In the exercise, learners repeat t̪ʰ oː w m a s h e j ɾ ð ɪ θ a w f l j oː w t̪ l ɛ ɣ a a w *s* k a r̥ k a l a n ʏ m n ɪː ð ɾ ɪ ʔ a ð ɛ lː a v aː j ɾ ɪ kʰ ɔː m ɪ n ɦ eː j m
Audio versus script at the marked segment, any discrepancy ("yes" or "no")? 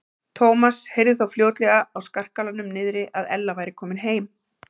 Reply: no